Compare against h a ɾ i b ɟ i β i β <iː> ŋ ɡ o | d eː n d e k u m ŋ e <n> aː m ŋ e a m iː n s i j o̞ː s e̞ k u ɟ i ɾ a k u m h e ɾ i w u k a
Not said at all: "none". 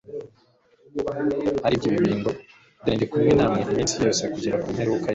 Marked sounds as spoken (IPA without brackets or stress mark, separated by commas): iː, n